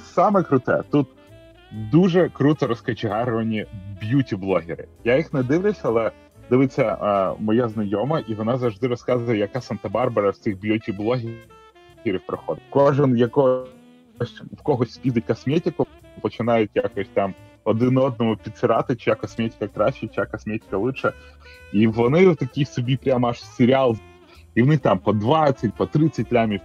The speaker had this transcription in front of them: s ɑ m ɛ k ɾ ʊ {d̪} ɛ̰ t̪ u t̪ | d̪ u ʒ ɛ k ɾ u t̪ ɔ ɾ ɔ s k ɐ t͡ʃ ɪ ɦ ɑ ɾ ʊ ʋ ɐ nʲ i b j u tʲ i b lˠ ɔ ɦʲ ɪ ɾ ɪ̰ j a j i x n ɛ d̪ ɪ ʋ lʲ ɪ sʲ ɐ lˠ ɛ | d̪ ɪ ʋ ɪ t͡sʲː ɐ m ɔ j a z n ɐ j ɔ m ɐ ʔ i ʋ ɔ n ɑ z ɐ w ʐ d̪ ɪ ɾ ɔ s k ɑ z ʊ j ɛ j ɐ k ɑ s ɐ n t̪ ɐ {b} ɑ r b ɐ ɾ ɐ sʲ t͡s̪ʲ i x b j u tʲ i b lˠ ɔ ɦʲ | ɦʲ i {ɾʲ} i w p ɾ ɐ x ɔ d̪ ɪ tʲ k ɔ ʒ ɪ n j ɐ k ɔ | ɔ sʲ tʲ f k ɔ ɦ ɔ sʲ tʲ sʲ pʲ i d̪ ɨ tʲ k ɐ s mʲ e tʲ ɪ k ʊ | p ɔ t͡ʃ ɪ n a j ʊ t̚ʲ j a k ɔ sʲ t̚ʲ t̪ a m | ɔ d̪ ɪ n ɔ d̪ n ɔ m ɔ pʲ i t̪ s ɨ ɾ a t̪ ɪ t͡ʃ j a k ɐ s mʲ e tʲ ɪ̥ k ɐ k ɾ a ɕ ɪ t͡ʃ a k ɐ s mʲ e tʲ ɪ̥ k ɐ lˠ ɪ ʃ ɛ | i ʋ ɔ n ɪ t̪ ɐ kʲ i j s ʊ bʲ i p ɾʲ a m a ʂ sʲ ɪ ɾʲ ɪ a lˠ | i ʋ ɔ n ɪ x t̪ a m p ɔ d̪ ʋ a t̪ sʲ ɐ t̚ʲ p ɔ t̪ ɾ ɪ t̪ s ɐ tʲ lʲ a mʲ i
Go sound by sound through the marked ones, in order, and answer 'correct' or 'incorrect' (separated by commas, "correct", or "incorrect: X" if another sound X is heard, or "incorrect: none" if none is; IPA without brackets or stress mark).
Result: incorrect: t̪, correct, correct